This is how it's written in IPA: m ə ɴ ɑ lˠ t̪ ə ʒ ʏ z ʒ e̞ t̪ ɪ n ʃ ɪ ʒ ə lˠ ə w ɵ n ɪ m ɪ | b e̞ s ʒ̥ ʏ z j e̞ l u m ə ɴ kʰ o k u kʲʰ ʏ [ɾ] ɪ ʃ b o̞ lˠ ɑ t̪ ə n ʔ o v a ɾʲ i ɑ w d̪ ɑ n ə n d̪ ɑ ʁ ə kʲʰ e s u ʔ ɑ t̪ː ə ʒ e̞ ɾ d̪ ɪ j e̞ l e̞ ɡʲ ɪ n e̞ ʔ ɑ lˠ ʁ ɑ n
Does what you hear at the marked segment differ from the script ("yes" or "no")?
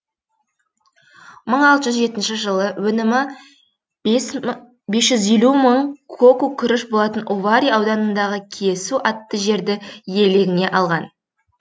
no